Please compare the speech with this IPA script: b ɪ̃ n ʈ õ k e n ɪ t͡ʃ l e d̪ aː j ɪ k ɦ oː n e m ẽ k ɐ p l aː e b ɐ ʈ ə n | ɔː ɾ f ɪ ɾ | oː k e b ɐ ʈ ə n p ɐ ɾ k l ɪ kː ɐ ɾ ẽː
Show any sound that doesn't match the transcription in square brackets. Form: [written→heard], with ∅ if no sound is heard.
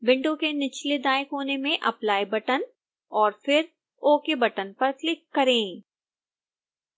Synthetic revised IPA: b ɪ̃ [n→ɳ] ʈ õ k e n ɪ t͡ʃ l e d̪ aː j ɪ k ɦ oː n e m ẽ [k→ʔ] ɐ p l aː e b ɐ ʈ ə n | ɔː ɾ f ɪ ɾ | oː k e b ɐ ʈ ə n p ɐ ɾ k l ɪ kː ɐ ɾ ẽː

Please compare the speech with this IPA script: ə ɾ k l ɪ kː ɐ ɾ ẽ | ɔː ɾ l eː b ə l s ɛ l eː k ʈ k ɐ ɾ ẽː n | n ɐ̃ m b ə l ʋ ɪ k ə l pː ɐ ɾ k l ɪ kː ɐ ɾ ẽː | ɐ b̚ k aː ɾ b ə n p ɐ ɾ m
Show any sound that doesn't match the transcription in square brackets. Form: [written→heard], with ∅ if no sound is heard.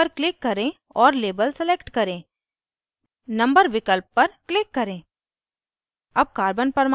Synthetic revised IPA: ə ɾ k l ɪ kː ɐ ɾ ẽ | ɔː ɾ l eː b ə l s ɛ l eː k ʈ k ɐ ɾ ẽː [n→∅] | n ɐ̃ m b ə [l→ɾ] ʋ ɪ k ə l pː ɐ ɾ k l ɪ kː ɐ ɾ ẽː | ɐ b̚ k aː ɾ b ə n p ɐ ɾ m

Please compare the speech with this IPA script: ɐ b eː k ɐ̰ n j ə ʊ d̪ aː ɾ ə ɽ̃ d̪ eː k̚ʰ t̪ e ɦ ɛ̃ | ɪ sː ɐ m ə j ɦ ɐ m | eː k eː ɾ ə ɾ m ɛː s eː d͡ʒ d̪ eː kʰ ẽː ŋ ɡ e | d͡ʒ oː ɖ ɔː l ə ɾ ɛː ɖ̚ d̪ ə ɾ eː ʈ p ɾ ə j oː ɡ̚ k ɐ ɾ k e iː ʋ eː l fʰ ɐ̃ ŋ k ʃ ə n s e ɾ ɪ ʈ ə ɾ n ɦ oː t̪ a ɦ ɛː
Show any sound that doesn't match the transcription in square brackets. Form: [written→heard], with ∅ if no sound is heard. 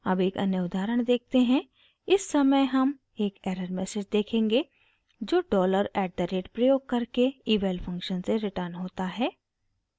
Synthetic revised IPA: ɐ b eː k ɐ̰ n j ə ʊ d̪ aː ɾ ə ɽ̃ d̪ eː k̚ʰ t̪ e ɦ ɛ̃ | ɪ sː ɐ m ə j ɦ ɐ m | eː k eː ɾ ə ɾ m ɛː s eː d͡ʒ d̪ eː kʰ ẽː ŋ ɡ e | d͡ʒ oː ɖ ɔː l ə ɾ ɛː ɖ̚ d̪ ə ɾ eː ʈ p ɾ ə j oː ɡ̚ k ɐ ɾ k e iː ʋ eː l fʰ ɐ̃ ŋ k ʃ ə n s e ɾ ɪ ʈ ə ɾ n ɦ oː t̪ a ɦ ɛː

